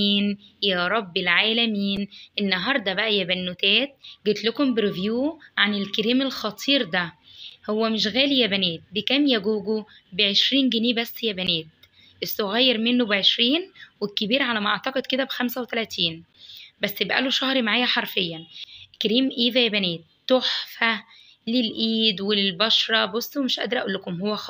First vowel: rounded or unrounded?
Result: unrounded